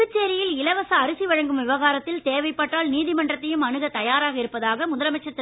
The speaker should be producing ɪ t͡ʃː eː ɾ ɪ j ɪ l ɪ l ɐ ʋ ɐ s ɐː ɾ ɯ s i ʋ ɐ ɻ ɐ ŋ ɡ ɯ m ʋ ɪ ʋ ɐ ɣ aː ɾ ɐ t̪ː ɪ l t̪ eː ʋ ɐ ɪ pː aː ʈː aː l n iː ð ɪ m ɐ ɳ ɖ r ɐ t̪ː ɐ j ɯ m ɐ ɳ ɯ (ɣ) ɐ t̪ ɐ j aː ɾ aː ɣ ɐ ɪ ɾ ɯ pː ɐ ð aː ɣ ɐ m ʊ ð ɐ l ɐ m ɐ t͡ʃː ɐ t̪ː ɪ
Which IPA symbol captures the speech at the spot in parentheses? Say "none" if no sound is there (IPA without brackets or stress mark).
ɣ